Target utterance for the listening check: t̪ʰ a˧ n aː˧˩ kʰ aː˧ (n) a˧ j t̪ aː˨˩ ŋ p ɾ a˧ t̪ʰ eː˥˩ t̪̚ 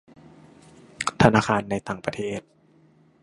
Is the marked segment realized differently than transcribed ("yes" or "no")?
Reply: yes